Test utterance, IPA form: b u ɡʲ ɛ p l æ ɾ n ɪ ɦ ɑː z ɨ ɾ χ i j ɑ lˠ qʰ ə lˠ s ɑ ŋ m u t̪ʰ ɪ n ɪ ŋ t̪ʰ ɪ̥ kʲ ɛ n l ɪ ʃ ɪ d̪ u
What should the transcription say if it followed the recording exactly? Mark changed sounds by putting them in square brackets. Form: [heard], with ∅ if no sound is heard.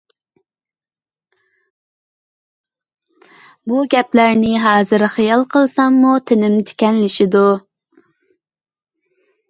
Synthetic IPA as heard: b u ɡʲ ɛ p l æ ɾ n ɪ ɦ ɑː z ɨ ɾ χ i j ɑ lˠ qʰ ə lˠ s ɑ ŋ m u t̪ʰ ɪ n ɪ [m] t̪ʰ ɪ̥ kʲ ɛ n l ɪ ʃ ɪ d̪ u